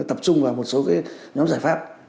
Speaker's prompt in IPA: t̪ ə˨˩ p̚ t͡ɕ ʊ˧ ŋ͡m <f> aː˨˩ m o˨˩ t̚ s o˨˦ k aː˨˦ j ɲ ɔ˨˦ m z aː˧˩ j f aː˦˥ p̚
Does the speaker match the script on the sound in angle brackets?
no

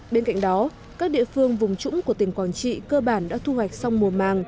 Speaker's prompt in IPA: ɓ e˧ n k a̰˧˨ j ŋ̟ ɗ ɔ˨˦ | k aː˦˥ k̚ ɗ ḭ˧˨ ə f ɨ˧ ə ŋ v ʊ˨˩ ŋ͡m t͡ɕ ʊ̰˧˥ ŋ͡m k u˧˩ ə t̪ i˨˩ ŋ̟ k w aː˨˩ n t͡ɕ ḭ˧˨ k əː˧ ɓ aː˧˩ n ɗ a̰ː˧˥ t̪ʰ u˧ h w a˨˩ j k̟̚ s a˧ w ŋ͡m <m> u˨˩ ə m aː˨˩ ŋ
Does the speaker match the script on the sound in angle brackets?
yes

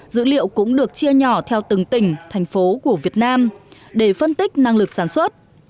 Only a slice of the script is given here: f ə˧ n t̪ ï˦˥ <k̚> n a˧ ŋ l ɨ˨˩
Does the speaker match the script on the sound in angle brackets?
yes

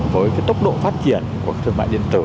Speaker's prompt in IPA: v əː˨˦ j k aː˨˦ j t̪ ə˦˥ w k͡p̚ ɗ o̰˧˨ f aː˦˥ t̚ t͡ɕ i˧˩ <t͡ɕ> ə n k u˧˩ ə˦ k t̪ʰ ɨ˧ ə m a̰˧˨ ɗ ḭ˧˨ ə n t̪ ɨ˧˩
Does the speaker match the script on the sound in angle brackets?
no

